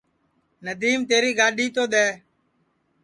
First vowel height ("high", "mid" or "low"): mid